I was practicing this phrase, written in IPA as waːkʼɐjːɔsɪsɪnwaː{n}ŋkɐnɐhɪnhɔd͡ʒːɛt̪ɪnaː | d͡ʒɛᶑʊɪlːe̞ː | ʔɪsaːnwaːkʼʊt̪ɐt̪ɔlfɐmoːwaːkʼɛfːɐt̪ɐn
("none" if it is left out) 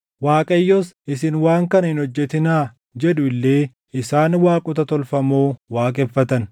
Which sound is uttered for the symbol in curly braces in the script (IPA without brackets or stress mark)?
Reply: none